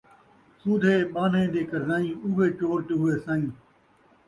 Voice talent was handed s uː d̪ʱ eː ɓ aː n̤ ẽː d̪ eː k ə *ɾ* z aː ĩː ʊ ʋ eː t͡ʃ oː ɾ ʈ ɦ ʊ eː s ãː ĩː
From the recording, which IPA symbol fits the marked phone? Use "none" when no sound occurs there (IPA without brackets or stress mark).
ɾ